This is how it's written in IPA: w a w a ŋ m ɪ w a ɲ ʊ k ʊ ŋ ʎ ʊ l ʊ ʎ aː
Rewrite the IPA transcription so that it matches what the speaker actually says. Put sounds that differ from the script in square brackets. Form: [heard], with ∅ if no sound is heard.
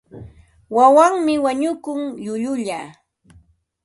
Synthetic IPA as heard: w a w a ŋ m ɪ w a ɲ ʊ k ʊ ŋ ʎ ʊ [ʎ] ʊ ʎ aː